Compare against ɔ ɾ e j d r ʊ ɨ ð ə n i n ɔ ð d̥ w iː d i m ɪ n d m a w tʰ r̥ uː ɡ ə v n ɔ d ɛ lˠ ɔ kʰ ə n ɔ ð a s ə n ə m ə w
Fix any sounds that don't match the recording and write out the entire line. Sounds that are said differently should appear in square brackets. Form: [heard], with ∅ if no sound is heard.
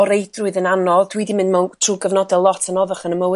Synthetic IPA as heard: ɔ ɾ e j d r ʊ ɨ ð ə n [a] n ɔ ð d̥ w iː d i m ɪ n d m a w tʰ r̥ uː ɡ ə v n ɔ d ɛ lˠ ɔ [tʰ] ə n ɔ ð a [χ] ə n ə m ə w